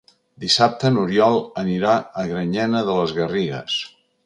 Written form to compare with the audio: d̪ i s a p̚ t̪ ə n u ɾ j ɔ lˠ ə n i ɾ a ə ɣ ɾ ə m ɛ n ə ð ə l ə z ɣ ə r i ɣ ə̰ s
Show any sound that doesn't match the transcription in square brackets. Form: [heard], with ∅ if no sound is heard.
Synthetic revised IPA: d̪ i s a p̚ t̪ ə n u ɾ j ɔ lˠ ə n i ɾ a ə ɣ ɾ ə [ɲ] ɛ n ə ð ə l ə z ɣ ə r i ɣ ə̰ s